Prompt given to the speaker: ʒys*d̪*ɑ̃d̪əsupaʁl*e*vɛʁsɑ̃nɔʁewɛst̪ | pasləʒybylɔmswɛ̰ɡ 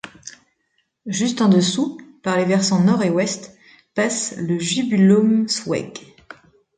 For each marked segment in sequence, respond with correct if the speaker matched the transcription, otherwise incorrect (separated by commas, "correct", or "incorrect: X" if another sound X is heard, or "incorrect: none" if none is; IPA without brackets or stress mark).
incorrect: t̪, correct